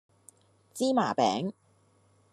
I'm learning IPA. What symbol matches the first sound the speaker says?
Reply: t͡s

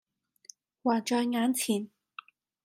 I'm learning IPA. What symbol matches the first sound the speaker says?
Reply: w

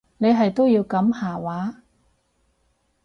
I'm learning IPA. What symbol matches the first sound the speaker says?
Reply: n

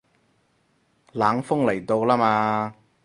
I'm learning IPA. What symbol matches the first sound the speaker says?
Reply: l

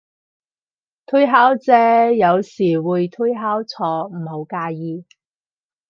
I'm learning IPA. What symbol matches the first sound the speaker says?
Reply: t̪ʰ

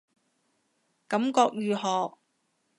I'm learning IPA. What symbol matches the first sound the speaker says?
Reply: k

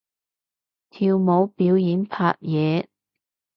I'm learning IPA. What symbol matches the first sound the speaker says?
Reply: t̪ʰ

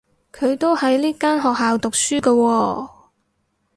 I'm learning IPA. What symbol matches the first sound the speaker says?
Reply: kʰ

